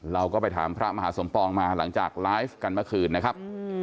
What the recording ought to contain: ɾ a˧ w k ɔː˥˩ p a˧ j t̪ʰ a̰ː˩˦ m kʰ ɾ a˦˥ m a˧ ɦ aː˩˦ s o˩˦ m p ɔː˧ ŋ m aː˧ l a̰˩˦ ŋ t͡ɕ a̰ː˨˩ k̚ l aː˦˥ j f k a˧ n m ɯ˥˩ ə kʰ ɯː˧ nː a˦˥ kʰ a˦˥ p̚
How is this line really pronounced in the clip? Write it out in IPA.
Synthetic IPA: ɾ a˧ w k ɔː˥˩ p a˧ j t̪ʰ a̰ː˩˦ m pʰ ɾ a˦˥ m a˧ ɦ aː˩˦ s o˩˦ m p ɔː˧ ŋ m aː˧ l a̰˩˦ ŋ t͡ɕ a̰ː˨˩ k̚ l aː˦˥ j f k a˧ n m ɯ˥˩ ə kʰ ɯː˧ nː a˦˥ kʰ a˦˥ p̚